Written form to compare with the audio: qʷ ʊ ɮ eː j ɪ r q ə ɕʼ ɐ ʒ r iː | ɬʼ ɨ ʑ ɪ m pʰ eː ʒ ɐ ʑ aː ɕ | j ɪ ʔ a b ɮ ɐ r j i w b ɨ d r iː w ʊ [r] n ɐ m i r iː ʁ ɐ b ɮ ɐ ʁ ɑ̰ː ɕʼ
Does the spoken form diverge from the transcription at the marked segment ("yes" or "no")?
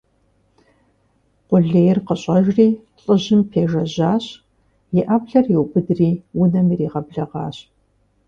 yes